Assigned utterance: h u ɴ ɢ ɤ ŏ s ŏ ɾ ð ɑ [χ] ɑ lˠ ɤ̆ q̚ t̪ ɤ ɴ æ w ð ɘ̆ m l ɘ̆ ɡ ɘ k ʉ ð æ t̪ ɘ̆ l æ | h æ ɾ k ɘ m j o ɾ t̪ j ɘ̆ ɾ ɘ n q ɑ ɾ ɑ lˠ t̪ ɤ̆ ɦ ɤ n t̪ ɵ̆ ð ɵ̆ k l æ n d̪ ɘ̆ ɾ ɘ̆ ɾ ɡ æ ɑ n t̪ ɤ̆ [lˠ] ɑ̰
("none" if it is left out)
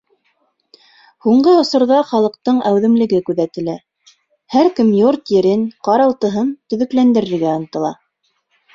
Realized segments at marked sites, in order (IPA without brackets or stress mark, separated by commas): χ, lˠ